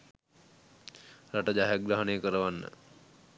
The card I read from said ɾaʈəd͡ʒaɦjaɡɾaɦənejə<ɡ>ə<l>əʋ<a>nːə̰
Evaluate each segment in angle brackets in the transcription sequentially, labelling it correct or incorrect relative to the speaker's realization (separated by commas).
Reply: incorrect, incorrect, correct